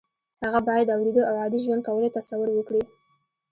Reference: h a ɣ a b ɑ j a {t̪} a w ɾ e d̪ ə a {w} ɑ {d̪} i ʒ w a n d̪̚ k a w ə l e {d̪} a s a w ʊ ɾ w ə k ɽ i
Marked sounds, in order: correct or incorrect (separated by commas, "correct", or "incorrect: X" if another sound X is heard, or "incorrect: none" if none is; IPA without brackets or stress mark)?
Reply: incorrect: d̪, correct, correct, incorrect: t̪